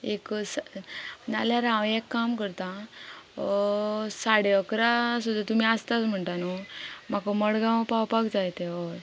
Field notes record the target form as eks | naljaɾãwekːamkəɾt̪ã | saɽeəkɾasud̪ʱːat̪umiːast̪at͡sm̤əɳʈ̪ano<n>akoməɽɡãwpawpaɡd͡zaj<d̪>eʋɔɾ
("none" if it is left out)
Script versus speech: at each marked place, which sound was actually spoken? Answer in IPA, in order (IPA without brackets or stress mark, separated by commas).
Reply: m, t̪